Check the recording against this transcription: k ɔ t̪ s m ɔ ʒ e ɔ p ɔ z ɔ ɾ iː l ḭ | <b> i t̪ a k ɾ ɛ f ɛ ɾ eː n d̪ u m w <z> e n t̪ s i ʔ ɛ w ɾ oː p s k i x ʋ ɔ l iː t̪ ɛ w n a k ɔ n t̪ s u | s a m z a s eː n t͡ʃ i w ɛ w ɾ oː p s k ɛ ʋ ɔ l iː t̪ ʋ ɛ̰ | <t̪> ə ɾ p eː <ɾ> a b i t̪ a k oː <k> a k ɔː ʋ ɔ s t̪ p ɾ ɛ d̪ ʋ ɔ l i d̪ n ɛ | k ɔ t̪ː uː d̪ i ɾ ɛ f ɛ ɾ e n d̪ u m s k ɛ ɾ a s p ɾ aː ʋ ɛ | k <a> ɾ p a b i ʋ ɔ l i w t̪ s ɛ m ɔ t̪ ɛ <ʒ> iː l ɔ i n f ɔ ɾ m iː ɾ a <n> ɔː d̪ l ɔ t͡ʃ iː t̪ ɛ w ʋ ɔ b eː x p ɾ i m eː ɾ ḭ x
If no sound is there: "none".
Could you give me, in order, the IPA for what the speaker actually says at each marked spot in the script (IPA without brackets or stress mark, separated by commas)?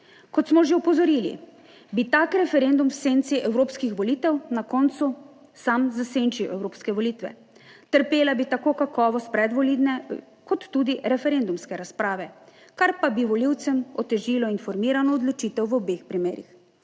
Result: b, s, t̪, l, k, a, ʒ, n